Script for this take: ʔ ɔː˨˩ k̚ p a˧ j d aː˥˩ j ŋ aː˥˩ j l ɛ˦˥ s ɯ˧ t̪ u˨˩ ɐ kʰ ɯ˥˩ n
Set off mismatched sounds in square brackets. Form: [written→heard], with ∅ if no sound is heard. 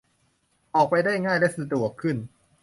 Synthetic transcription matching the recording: ʔ ɔː˨˩ k̚ p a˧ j d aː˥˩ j ŋ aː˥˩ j l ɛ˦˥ s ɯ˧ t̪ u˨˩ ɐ kʰ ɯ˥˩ n